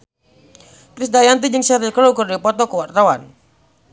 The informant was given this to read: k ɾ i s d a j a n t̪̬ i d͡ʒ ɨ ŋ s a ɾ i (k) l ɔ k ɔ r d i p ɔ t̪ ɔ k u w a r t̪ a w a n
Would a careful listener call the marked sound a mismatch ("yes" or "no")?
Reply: no